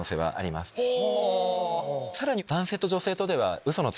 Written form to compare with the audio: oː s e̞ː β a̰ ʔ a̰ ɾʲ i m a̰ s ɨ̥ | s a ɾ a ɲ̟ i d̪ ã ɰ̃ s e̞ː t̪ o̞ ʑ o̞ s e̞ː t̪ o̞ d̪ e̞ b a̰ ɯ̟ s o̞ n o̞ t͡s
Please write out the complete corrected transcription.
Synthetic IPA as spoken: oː s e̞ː β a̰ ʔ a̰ ɾʲ i m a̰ s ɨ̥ | s a ɾ a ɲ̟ i d̪ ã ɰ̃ s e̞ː t̪ o̞ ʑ o̞ s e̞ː t̪ o̞ d̪ e̞ β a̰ ɯ̟ s o̞ n o̞ t͡s